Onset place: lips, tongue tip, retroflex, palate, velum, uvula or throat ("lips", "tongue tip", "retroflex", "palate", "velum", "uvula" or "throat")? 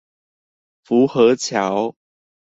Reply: lips